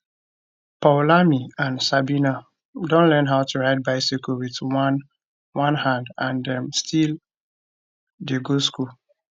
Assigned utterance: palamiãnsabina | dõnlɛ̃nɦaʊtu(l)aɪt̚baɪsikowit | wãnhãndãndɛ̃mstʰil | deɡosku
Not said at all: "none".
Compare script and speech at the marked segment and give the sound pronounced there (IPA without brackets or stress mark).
ɹ